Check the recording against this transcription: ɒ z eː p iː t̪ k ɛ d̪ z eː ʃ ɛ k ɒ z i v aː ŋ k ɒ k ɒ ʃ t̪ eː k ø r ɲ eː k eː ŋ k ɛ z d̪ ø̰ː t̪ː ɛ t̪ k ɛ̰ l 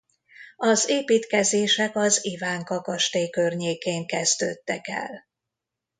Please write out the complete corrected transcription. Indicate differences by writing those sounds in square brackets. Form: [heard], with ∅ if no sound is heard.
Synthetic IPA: ɒ z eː p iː t̪ k ɛ [∅] z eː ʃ ɛ k ɒ z i v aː ŋ k ɒ k ɒ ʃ t̪ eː k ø r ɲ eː k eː ŋ k ɛ z d̪ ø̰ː t̪ː ɛ [∅] k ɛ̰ l

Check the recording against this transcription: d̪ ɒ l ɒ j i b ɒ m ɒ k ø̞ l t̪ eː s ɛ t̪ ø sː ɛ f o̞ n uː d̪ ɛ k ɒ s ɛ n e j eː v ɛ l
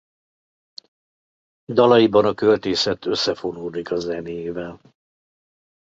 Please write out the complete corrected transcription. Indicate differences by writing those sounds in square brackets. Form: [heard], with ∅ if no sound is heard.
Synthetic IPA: d̪ ɒ l ɒ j i b ɒ [n] ɒ k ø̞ l t̪ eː s ɛ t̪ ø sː ɛ f o̞ n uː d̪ [i] k ɒ [z] ɛ n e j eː v ɛ l

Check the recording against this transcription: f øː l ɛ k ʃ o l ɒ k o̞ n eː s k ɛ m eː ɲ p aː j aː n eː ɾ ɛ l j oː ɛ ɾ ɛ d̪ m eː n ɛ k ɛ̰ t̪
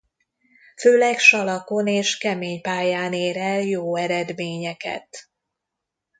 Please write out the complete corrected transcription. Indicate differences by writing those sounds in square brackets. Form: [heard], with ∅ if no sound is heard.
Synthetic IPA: f øː l ɛ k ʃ [ɒ] l ɒ k o̞ n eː [ʃ] k ɛ m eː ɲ p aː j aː n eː ɾ ɛ l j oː ɛ ɾ ɛ d̪ m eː [ɲ] ɛ k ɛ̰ t̪

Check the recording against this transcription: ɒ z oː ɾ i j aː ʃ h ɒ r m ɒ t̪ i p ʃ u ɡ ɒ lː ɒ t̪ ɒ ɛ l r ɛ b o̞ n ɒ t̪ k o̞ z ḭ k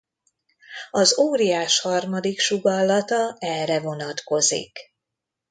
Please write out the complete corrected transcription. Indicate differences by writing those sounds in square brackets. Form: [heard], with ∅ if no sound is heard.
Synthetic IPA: ɒ z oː ɾ i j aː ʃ h ɒ r m ɒ [d̪] i [k] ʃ u ɡ ɒ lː ɒ t̪ ɒ ɛ l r ɛ [v] o̞ n ɒ t̪ k o̞ z ḭ k

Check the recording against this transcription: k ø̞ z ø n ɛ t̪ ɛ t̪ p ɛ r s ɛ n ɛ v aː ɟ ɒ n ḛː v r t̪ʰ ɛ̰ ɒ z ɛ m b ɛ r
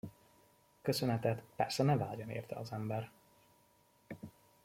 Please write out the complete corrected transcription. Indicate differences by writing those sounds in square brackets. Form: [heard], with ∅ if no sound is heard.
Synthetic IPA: k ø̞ [s] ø n ɛ t̪ ɛ t̪ p ɛ r s ɛ n ɛ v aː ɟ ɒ n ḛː [∅] r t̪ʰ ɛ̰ ɒ z ɛ m b ɛ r

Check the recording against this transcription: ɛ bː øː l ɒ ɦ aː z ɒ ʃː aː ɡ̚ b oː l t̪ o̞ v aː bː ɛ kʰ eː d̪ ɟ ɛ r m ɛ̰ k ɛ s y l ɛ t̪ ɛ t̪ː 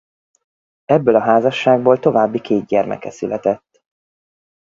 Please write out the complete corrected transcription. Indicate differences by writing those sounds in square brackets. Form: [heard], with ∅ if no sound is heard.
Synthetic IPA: ɛ bː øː l ɒ ɦ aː z ɒ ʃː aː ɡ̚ b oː l t̪ o̞ v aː bː [i] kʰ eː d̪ ɟ ɛ r m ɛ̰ k ɛ s y l ɛ t̪ ɛ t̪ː

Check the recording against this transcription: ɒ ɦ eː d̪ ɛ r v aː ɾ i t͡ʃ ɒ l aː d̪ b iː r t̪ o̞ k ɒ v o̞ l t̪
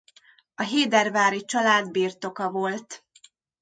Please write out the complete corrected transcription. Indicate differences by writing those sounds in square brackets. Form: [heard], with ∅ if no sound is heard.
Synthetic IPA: ɒ ɦ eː d̪ ɛ r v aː ɾ i t͡ʃ ɒ l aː d̪ b iː r t̪ o̞ k ɒ v o̞ l t̪

